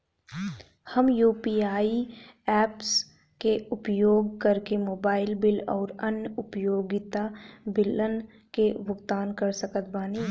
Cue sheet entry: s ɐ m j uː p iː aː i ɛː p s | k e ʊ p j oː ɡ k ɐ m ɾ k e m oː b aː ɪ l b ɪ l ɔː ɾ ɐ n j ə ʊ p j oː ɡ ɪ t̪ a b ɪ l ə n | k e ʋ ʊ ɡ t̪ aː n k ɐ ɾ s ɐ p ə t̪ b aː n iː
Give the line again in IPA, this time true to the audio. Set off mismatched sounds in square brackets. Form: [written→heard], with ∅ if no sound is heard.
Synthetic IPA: [s→h] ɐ m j uː p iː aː i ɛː p s | k e ʊ p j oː ɡ k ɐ [m→∅] ɾ k e m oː b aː ɪ l b ɪ l ɔː ɾ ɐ n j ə ʊ p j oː ɡ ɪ t̪ a b ɪ l ə n | k e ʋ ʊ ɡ t̪ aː n k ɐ ɾ s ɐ [p→k] ə t̪ b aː n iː